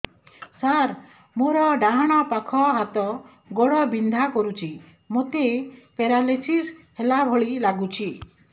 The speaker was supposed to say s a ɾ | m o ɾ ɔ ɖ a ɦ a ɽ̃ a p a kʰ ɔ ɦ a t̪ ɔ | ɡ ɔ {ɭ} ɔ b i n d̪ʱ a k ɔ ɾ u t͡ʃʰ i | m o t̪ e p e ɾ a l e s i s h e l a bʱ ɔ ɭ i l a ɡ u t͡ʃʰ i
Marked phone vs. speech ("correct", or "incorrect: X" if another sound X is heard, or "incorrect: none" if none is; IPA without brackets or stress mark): incorrect: ɽ